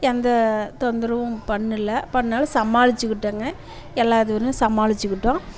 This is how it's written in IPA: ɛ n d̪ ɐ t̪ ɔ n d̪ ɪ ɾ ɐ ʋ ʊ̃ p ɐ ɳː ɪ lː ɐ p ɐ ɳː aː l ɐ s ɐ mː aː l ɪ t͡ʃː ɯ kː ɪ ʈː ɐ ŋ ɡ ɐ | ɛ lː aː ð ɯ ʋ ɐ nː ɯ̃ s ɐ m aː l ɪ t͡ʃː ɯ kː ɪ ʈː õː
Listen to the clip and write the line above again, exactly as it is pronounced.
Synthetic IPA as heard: ɛ n d̪ ɐ t̪ ɔ n d̪ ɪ ɾ ɐ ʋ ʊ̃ p ɐ ɳː ɪ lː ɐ p ɐ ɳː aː l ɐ s ɐ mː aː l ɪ t͡ʃː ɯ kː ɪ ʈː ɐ ŋ ɡ ɐ | ɛ lː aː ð ɯ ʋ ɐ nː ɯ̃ s ɐ m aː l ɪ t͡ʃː ɯ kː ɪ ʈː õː